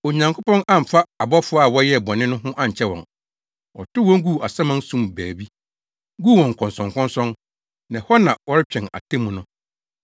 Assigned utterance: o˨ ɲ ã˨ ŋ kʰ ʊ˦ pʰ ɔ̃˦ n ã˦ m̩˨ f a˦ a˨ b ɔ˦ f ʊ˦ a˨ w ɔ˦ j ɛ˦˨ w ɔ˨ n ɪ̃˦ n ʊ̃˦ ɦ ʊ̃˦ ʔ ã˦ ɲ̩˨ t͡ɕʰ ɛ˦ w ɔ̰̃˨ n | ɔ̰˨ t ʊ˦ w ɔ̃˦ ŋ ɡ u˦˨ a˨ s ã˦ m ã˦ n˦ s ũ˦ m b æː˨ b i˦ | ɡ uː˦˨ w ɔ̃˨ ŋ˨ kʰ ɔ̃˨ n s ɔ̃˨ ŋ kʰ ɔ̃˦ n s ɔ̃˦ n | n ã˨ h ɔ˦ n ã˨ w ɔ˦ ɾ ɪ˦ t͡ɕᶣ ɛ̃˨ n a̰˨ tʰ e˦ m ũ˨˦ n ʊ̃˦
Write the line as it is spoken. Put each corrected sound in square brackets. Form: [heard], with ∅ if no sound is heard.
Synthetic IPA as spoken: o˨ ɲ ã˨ ŋ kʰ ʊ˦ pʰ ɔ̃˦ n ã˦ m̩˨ f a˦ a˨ b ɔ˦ f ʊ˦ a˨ w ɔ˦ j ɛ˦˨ [b] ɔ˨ n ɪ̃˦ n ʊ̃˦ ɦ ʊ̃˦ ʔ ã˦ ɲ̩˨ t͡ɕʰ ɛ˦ w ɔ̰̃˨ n | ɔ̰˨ t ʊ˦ w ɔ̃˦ ŋ ɡ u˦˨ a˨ s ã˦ m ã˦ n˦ s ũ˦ m b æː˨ b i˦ | ɡ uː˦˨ w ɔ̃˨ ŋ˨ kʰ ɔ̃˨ n s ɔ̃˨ ŋ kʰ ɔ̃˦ n s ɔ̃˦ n | n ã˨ h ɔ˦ n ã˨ w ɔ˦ ɾ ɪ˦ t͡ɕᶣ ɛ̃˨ n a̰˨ tʰ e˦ m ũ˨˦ n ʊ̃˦